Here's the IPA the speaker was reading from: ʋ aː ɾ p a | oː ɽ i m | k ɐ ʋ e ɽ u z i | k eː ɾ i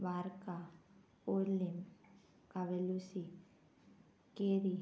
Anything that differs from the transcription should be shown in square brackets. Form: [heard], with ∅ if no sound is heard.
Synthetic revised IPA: ʋ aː ɾ [k] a | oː [l] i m | k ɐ ʋ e [l] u [s] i | k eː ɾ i